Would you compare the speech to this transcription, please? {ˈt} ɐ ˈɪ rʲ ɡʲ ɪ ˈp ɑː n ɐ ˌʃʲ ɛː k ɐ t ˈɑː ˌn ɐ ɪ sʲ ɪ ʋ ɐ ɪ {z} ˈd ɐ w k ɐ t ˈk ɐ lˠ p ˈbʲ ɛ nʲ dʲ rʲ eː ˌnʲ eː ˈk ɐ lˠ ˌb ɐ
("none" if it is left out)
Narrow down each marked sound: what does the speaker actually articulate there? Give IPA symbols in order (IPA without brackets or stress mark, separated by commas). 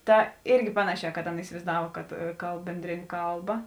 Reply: t, z